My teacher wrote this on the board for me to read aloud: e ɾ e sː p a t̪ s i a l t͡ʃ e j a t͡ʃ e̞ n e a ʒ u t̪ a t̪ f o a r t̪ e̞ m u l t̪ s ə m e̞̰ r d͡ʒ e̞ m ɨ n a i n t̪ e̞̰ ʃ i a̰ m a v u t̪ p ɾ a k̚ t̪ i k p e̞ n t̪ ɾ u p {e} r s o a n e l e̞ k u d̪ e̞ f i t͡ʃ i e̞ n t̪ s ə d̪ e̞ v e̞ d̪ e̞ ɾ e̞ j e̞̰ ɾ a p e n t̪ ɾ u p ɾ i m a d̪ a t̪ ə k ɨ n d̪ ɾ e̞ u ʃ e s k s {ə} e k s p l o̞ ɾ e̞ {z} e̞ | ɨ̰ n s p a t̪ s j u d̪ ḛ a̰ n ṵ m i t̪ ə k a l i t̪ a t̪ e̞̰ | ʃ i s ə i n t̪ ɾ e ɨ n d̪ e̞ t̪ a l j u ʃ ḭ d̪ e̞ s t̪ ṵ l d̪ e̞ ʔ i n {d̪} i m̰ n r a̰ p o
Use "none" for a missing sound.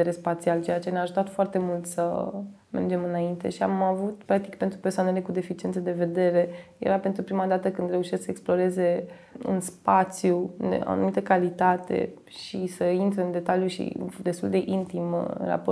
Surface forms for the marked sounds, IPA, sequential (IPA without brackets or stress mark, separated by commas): e, ə, z, t̪